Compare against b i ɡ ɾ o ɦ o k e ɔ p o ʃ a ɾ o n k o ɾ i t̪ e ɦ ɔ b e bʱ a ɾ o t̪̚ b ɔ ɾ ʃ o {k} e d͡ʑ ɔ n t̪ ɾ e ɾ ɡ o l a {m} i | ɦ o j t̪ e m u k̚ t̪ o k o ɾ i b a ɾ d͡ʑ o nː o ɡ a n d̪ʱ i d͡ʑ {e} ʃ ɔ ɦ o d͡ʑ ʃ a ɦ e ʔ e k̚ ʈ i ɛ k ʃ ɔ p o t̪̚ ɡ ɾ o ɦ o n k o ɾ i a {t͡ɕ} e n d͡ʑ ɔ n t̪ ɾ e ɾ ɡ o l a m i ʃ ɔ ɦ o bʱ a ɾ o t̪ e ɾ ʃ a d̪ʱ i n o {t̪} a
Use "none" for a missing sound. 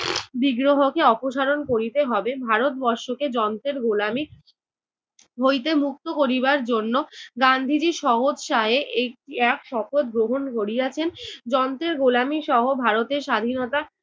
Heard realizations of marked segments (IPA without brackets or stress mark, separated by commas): k, m, i, t͡ɕʰ, t̪